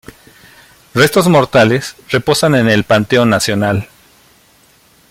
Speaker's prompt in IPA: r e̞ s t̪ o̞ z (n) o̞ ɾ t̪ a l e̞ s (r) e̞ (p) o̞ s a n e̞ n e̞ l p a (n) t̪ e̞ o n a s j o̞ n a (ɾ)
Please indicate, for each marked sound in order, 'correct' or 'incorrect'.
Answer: incorrect, correct, correct, correct, incorrect

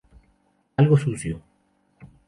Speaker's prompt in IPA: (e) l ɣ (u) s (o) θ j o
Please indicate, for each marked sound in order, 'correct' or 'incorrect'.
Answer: incorrect, incorrect, incorrect

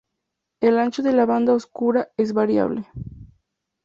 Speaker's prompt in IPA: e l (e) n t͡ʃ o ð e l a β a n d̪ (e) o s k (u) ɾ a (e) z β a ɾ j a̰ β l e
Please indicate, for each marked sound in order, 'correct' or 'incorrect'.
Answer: incorrect, incorrect, correct, correct

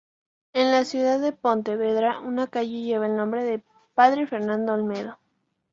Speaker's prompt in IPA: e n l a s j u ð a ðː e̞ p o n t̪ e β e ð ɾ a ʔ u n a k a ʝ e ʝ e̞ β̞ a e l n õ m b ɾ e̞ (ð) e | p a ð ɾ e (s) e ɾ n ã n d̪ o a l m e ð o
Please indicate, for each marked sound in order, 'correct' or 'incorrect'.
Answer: correct, incorrect

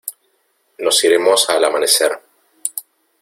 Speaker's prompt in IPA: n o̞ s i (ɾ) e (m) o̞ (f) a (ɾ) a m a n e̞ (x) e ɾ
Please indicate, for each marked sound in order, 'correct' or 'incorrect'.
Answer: correct, correct, incorrect, incorrect, incorrect

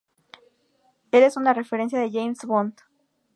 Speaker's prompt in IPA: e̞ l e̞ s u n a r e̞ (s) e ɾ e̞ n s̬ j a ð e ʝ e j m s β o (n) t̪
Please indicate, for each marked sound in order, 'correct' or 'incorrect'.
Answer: incorrect, correct

